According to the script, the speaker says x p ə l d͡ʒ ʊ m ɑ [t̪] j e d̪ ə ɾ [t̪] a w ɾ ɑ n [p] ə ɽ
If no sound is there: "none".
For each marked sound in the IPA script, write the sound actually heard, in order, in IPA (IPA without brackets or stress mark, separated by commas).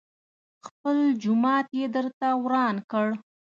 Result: t̪, t̪, k